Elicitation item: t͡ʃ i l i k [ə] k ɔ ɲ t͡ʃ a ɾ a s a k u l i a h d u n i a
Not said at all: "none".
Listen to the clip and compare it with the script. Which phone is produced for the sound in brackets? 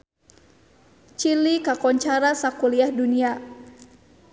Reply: a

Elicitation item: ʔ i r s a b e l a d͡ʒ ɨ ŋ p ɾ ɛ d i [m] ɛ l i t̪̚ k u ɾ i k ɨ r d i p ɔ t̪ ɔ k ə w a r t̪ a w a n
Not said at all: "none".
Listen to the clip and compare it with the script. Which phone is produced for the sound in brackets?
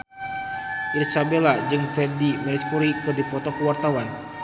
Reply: m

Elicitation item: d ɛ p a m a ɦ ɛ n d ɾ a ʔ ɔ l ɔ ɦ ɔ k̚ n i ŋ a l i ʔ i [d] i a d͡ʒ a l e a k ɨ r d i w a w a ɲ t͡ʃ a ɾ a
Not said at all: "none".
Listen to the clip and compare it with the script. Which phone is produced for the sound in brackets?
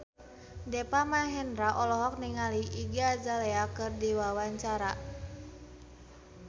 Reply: ɡ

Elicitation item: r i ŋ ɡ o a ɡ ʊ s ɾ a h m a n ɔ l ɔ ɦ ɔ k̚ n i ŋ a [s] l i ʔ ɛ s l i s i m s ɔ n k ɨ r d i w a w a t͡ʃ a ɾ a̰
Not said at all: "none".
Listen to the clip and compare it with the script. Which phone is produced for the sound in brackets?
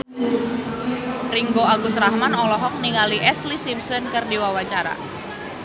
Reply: none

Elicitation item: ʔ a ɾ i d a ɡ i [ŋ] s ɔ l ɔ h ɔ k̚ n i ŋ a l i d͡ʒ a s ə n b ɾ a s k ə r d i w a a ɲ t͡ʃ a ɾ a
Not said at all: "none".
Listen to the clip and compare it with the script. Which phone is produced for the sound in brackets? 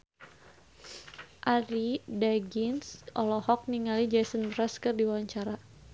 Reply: n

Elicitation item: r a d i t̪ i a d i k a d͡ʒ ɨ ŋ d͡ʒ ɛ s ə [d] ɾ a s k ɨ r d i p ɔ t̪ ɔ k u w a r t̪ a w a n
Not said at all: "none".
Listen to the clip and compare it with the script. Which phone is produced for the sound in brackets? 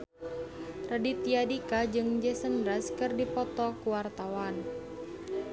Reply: n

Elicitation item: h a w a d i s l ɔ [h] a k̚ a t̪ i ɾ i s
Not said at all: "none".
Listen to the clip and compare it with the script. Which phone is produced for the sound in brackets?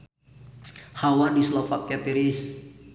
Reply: f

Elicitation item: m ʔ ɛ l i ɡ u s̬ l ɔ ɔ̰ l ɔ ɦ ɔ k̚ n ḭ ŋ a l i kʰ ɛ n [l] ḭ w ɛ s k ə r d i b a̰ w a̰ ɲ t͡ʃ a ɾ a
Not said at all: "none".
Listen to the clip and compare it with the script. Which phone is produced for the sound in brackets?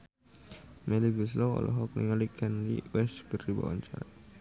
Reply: l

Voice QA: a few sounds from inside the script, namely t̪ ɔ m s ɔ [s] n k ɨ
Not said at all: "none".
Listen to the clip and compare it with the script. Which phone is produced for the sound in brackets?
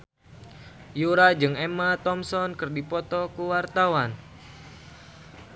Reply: none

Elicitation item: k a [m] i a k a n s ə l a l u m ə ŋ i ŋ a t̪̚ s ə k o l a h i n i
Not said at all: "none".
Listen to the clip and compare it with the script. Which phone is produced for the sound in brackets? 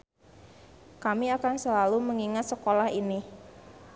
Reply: m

